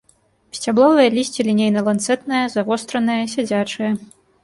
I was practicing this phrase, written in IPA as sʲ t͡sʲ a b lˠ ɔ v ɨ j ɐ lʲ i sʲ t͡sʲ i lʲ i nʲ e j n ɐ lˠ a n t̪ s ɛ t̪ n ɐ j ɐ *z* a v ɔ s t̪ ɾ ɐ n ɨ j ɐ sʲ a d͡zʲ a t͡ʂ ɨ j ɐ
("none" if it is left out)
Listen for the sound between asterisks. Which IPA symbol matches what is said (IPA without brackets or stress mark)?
z